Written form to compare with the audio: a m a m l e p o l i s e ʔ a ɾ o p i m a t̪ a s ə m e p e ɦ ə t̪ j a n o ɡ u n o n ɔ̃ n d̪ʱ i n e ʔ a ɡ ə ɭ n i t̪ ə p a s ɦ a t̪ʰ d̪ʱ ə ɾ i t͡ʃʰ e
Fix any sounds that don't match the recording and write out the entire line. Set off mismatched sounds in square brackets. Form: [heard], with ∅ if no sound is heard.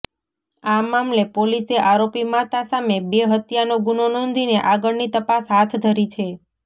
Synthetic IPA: a m a m l e p o l i s e ʔ a ɾ o p i m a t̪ a s [a] m e [b] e ɦ ə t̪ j a n o ɡ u n o n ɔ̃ n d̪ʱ i n e ʔ a ɡ ə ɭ n i t̪ ə p a s ɦ a t̪ʰ d̪ʱ ə ɾ i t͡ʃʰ e